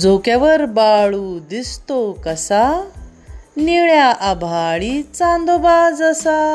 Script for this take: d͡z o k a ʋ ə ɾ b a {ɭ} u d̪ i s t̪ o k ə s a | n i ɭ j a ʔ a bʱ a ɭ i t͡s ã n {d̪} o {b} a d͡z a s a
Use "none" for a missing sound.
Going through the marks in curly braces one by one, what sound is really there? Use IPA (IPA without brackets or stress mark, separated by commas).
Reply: ɭ, d̪, b